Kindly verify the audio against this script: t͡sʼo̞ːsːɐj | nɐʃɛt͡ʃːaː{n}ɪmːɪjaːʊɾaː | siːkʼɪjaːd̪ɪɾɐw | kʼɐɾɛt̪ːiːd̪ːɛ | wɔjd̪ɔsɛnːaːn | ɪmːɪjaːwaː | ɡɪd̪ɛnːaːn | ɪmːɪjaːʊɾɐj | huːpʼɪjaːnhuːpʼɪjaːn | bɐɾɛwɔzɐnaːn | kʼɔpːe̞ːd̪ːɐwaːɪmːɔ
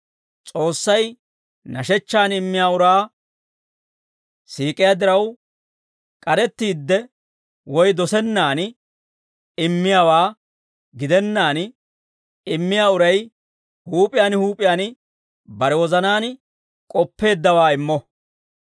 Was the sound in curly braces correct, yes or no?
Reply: yes